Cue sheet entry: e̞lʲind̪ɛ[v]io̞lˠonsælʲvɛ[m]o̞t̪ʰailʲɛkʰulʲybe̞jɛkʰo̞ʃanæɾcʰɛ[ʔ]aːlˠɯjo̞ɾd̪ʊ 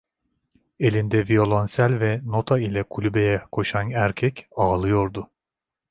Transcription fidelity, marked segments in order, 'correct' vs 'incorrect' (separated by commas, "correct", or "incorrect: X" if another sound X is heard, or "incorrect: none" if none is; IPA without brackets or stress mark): correct, incorrect: n, incorrect: c